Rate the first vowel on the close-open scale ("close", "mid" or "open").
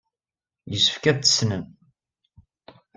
mid